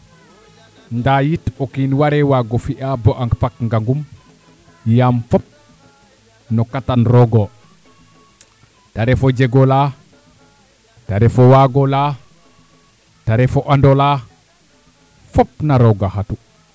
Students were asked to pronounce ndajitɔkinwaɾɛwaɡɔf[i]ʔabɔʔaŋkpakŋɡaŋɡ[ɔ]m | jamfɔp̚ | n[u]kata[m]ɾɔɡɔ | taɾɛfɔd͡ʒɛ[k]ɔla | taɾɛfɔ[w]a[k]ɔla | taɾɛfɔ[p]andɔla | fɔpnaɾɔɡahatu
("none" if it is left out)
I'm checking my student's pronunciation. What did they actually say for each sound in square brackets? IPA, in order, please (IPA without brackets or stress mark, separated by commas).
i, u, ɔ, n, ɡ, w, ɡ, ʔ